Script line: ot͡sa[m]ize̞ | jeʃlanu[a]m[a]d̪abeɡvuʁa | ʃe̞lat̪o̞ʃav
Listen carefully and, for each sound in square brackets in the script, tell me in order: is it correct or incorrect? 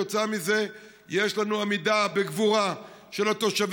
correct, correct, incorrect: i

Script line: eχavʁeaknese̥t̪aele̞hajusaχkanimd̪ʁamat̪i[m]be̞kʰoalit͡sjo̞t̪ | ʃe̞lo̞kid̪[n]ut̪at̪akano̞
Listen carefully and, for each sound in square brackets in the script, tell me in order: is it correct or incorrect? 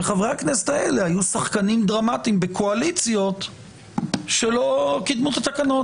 correct, incorrect: m

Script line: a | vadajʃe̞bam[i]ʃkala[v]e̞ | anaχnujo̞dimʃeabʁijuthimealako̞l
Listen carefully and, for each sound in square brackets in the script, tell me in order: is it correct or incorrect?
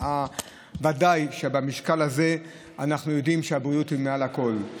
correct, incorrect: z

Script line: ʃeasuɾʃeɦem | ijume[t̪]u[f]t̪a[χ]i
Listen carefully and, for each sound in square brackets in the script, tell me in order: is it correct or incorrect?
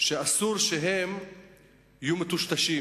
correct, incorrect: ʃ, incorrect: ʃ

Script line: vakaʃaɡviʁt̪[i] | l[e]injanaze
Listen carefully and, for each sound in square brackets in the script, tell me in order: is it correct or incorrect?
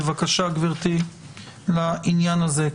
correct, incorrect: a

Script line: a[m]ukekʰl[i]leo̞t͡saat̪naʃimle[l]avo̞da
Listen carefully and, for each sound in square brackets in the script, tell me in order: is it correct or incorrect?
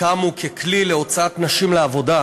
correct, correct, incorrect: none

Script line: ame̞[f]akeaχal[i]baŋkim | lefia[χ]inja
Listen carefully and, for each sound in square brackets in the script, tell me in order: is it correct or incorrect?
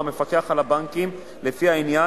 correct, incorrect: a, incorrect: none

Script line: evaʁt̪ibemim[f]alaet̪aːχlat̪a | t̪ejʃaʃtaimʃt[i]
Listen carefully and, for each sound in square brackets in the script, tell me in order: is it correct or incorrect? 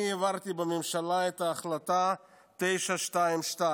incorrect: ʃ, incorrect: a

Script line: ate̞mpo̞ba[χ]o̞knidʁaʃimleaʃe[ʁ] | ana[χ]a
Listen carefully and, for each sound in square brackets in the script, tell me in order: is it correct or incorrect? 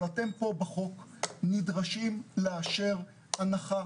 correct, correct, correct

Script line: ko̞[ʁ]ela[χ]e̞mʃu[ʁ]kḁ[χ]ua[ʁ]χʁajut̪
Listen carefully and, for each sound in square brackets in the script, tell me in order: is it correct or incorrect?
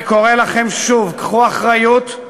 correct, correct, incorrect: v, correct, incorrect: none

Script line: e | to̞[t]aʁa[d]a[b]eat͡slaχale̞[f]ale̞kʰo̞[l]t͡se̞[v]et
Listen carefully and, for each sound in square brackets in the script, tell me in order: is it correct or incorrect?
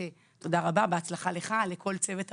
incorrect: d, incorrect: b, correct, incorrect: χ, correct, correct

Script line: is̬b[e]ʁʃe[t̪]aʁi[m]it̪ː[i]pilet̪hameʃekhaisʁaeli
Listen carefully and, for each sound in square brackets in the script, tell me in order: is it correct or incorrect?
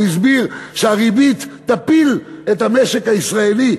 incorrect: i, incorrect: none, incorrect: b, incorrect: a

